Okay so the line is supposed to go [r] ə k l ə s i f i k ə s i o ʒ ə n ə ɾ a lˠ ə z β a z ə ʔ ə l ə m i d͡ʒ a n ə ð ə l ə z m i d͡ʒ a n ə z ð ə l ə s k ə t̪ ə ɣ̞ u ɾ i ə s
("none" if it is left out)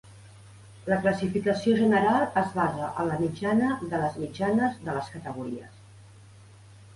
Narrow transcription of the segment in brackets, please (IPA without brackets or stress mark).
l